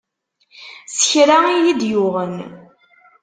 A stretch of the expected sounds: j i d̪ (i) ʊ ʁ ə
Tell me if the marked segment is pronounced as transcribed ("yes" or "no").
no